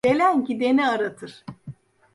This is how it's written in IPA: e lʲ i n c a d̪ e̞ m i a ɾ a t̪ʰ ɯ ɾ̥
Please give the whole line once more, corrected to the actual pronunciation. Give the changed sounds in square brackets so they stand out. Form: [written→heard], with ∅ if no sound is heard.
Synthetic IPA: e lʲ [i→æ] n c [a→i] d̪ e̞ [m→n] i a ɾ a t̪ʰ ɯ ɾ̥